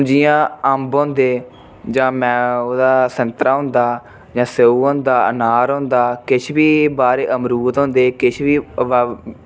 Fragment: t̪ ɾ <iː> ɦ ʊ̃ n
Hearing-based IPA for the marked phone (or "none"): aː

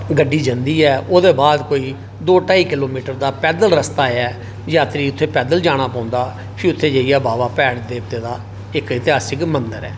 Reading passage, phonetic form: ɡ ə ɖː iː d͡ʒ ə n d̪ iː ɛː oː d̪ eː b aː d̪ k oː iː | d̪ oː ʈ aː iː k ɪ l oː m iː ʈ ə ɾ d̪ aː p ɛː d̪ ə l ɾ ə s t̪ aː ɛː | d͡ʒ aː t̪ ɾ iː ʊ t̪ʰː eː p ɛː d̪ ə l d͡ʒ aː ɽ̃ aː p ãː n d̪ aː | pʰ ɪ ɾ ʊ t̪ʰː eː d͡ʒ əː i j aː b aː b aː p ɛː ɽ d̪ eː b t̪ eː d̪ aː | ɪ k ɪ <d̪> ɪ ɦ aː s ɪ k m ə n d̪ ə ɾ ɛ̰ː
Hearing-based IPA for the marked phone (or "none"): t̪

